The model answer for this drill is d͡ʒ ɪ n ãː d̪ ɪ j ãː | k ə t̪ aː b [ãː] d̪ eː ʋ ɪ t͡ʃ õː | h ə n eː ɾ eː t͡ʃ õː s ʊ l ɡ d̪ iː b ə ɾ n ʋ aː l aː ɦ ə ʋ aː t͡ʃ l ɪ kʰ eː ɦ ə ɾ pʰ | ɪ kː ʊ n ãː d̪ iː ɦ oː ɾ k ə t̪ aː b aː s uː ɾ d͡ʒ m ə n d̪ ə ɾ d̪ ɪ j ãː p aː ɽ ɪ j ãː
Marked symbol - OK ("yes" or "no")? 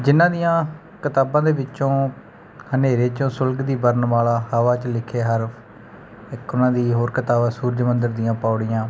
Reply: yes